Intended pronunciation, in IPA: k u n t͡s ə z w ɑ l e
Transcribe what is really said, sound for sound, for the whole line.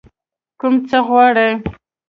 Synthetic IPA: k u m t͡s ə ɣ w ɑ ɽ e